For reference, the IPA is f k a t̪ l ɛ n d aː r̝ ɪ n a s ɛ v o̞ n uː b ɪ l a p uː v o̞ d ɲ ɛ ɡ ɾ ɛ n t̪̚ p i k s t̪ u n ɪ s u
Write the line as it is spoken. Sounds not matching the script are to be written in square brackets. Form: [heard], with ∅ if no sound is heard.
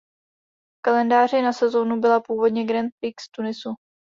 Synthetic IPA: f k a [∅] l ɛ n d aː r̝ ɪ n a s ɛ [z] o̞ n [u] b ɪ l a p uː v o̞ d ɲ ɛ ɡ ɾ ɛ n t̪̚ p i k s t̪ u n ɪ s u